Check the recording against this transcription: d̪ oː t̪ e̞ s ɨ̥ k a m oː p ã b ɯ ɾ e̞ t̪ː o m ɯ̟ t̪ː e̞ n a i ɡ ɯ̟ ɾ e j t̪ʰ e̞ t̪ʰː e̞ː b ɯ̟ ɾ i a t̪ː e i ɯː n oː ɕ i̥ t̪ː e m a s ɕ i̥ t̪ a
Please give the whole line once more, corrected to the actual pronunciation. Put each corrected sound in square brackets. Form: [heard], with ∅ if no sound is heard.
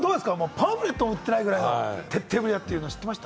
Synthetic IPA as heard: d̪ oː [d̪] e̞ s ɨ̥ k a m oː p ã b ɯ ɾ e̞ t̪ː o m ɯ̟ t̪ː e̞ n a i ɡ ɯ̟ ɾ [a] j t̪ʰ e̞ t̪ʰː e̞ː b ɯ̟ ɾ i a t̪ː e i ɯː n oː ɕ i̥ t̪ː e m a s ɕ i̥ t̪ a